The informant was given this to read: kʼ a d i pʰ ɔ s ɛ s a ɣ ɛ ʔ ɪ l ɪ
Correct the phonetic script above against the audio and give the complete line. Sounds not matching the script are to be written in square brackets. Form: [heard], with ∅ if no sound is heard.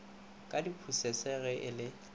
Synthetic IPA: kʼ a d i pʰ [u] s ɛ s [ɛ] ɣ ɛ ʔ ɪ l ɪ